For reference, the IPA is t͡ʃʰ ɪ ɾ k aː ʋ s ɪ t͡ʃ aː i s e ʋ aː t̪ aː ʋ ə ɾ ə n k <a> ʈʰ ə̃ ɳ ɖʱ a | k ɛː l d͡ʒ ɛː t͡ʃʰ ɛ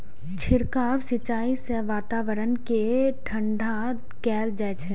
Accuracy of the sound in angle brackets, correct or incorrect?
incorrect